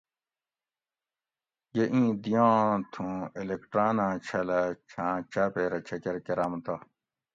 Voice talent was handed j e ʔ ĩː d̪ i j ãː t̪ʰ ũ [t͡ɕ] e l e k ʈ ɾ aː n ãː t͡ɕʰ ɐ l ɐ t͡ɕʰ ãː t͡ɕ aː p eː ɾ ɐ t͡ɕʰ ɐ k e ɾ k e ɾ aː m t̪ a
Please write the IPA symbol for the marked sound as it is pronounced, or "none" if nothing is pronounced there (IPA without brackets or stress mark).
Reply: none